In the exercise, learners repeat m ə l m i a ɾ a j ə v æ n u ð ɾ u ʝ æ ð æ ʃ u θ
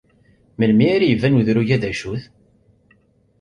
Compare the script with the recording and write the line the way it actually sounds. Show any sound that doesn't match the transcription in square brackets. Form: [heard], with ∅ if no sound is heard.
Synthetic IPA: m ə l m i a ɾ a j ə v æ n u ð ɾ u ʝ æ ð æ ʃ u θ